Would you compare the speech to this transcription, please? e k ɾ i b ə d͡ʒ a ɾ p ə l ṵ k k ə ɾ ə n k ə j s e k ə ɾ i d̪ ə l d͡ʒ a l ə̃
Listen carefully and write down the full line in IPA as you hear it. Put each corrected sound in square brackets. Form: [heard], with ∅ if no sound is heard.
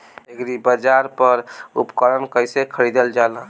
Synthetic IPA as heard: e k ɾ i b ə d͡ʒ a ɾ p ə [ɾ] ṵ [p] k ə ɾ ə n k ə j s e [kʰ] ə ɾ i d̪ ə l d͡ʒ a l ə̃